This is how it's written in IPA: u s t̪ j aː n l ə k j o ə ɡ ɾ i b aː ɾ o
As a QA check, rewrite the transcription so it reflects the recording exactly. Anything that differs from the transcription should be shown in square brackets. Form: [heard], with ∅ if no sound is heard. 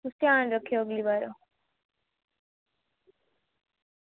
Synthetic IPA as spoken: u s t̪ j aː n [ɾ] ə [kʰ] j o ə ɡ [l] i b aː ɾ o